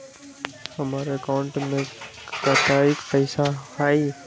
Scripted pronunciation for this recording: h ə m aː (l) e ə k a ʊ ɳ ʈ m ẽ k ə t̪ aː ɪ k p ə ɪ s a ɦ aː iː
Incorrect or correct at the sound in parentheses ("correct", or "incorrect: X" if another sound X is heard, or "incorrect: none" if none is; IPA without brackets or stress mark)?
incorrect: ɾ